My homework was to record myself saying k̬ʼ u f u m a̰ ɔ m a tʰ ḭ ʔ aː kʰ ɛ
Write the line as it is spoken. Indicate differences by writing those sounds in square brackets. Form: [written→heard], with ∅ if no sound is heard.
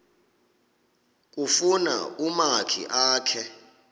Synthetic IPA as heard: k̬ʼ u f u [m→n] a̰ [ɔ→u] m a [tʰ→kʰ] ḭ ʔ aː kʰ ɛ